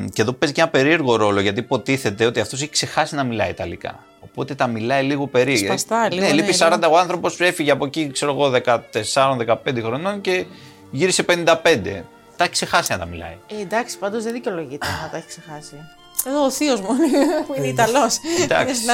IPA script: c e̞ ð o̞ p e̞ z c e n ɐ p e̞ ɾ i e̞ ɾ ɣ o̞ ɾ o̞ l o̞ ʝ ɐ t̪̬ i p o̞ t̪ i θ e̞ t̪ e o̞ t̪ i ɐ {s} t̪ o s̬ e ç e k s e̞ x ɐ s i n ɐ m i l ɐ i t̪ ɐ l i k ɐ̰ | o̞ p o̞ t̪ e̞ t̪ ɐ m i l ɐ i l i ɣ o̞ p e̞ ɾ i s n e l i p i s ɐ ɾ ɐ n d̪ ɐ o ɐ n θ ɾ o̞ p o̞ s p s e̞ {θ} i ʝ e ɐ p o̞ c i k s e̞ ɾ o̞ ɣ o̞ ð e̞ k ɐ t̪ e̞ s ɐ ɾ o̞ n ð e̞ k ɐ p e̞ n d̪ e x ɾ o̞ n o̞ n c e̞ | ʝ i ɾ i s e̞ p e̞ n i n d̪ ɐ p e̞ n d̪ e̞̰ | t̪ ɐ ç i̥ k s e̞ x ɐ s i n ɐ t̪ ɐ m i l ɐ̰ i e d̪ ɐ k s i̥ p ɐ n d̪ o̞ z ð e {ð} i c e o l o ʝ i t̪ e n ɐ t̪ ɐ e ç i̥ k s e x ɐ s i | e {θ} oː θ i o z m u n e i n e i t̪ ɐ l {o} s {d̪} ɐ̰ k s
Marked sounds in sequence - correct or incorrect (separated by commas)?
incorrect, incorrect, correct, incorrect, correct, correct